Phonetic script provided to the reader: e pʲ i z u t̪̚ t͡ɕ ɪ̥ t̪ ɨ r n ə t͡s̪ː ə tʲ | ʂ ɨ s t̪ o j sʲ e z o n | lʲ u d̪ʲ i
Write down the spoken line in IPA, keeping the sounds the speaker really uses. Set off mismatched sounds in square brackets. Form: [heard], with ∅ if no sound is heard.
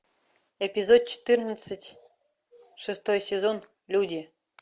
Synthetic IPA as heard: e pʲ i z [o] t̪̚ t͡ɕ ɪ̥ t̪ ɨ r n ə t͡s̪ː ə tʲ | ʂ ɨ s t̪ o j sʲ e z o n | lʲ u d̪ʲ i